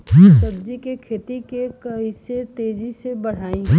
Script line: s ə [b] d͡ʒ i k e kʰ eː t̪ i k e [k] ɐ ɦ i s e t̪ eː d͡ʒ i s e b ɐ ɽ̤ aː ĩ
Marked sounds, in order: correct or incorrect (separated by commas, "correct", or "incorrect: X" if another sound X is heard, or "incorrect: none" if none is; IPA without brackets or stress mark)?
correct, correct